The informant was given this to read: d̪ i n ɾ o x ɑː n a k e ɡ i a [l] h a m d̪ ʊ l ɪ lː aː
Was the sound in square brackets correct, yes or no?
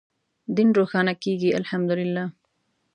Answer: yes